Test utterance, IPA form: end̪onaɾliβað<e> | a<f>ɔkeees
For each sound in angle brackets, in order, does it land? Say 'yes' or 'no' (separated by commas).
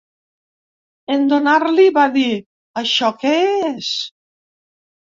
no, no